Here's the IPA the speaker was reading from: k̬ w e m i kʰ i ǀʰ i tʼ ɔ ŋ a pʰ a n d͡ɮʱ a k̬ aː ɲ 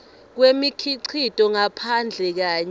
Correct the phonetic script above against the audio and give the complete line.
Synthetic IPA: k̬ w e m i kʰ i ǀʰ i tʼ ɔ ŋ a pʰ a n d͡ɮʱ ɛ k̬ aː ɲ